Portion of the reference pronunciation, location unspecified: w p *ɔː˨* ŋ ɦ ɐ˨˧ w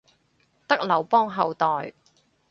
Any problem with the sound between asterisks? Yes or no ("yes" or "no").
yes